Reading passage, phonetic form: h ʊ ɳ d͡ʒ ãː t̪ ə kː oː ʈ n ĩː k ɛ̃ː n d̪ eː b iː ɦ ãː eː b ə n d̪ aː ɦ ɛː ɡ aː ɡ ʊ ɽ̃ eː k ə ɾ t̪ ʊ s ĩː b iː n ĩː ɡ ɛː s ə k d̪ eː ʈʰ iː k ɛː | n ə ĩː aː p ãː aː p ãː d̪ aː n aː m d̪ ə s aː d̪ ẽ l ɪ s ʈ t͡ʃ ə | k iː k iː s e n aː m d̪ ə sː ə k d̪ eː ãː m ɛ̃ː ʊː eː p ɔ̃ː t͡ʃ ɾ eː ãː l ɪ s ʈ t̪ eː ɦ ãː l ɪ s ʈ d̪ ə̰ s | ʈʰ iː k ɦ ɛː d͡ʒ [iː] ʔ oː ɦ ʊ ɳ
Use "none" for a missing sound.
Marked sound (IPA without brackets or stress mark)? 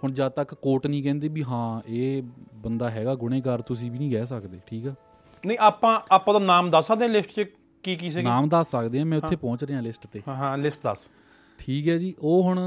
iː